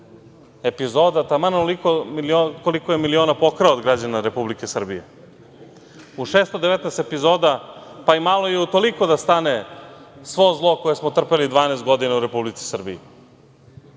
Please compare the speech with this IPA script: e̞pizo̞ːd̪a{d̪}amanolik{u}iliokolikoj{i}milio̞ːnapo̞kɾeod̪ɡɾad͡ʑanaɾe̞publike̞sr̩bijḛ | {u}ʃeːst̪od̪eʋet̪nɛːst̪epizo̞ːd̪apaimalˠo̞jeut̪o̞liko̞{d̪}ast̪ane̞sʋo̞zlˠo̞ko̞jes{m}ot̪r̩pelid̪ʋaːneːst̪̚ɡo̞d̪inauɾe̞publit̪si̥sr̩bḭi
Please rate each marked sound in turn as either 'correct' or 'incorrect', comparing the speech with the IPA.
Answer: incorrect, incorrect, incorrect, correct, correct, correct

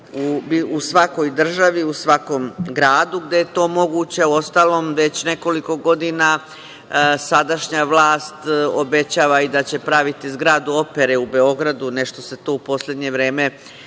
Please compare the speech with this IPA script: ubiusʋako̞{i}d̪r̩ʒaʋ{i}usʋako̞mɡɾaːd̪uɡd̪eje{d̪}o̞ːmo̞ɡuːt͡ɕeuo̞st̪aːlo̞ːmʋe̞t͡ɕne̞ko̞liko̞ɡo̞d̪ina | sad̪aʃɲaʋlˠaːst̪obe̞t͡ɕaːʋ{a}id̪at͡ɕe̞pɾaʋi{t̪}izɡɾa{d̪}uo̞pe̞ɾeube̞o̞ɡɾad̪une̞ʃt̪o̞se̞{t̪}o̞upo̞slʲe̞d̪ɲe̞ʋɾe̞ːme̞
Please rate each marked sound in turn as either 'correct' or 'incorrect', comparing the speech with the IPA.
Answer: incorrect, correct, incorrect, correct, correct, correct, correct

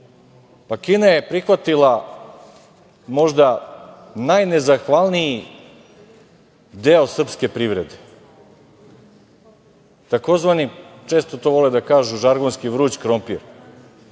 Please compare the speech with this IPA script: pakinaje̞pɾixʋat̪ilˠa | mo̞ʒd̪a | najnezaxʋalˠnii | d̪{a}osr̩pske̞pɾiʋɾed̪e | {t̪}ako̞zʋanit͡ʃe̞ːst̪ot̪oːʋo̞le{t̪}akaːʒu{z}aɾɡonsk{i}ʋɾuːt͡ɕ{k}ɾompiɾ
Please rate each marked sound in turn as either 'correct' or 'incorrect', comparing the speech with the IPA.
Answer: incorrect, correct, incorrect, incorrect, correct, correct

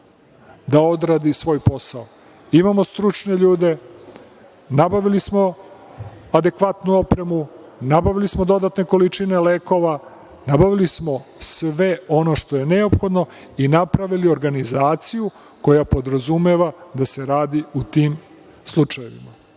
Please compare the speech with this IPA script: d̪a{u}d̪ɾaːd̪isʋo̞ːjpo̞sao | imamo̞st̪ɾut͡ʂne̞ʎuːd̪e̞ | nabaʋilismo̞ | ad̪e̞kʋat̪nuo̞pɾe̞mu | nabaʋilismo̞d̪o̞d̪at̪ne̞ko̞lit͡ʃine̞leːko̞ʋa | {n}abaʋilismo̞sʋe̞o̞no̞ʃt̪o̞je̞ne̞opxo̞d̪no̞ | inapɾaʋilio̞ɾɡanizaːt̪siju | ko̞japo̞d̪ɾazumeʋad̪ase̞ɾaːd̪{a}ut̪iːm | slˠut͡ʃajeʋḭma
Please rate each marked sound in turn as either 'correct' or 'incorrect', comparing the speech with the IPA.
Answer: incorrect, correct, incorrect

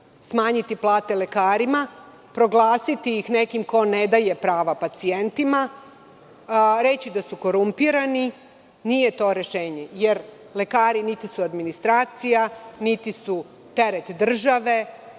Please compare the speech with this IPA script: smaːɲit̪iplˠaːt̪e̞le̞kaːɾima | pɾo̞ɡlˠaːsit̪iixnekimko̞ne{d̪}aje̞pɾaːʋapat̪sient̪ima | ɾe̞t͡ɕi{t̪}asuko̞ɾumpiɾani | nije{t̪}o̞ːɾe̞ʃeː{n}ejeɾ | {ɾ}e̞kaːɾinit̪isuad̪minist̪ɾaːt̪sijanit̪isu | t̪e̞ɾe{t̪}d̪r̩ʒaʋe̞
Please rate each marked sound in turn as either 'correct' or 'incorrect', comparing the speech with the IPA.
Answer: correct, incorrect, correct, incorrect, incorrect, correct

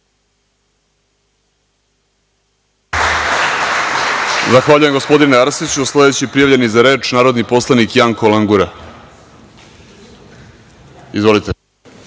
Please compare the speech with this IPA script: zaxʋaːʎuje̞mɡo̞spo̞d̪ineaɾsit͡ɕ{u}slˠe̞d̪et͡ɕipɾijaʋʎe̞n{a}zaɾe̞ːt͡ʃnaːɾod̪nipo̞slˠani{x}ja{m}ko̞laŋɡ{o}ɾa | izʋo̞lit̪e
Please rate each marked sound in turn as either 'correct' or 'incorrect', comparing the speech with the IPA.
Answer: correct, incorrect, incorrect, incorrect, incorrect

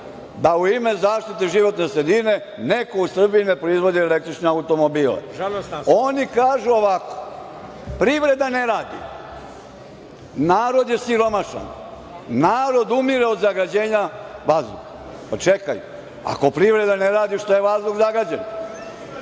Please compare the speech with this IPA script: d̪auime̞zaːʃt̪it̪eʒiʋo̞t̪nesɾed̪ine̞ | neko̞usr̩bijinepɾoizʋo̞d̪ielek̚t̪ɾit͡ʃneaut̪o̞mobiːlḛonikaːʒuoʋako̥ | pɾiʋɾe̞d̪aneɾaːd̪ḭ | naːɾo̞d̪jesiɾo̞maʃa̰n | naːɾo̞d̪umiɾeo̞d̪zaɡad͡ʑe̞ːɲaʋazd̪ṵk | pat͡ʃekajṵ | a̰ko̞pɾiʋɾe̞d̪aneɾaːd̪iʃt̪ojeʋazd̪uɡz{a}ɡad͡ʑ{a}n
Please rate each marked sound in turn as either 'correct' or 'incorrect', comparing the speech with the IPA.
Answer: correct, incorrect

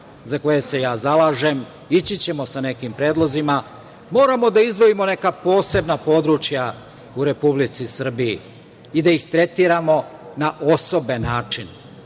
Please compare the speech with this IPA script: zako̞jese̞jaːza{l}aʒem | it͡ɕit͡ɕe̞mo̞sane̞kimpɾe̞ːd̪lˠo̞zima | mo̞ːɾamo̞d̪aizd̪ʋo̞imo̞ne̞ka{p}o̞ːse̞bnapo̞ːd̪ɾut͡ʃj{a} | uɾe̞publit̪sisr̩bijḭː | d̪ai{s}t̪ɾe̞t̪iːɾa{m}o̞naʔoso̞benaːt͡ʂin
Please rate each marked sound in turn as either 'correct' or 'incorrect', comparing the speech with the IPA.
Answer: correct, correct, correct, incorrect, correct

